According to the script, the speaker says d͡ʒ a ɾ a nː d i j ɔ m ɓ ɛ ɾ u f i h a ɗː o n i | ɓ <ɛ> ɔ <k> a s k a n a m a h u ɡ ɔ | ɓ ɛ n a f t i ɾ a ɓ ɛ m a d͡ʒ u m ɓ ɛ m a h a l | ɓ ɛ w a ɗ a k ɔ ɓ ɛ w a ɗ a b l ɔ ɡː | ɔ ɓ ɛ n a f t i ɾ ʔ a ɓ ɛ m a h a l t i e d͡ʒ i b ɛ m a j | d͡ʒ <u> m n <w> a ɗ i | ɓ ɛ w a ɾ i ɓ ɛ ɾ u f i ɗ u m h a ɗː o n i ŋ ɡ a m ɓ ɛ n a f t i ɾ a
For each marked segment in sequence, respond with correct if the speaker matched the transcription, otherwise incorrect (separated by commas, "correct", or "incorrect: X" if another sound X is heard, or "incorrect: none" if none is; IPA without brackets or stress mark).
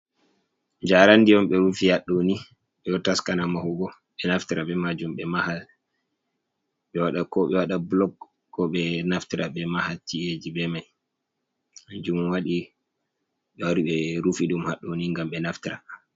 correct, incorrect: t, correct, correct